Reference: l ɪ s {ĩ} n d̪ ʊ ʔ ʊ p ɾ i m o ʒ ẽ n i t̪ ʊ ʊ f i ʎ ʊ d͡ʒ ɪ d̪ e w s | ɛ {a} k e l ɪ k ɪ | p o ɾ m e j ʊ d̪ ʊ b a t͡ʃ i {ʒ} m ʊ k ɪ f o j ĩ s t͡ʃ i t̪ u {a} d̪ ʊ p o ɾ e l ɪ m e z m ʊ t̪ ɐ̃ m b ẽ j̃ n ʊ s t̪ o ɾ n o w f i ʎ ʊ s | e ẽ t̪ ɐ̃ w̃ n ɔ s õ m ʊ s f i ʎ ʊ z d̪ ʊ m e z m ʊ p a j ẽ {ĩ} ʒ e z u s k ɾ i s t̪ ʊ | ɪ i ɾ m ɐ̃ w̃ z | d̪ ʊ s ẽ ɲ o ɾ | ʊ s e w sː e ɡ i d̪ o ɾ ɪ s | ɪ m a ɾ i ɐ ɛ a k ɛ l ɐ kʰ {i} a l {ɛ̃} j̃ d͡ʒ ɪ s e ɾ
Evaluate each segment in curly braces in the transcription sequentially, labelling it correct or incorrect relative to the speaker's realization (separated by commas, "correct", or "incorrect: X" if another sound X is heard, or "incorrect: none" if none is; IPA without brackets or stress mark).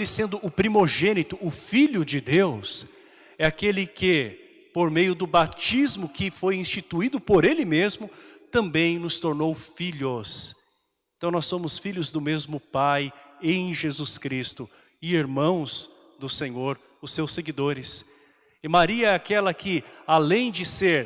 incorrect: ẽ, correct, incorrect: z, incorrect: i, incorrect: j̃, incorrect: ɪ, incorrect: ẽ